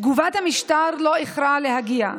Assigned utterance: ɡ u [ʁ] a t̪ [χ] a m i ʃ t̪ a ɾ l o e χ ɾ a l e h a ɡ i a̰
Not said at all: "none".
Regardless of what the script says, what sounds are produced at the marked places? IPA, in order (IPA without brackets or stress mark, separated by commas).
v, h